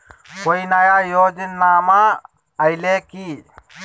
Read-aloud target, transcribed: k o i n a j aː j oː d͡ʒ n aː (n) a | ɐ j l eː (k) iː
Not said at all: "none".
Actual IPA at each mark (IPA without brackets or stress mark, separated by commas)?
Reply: m, k